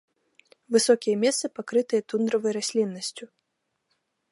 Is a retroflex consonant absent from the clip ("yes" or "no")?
yes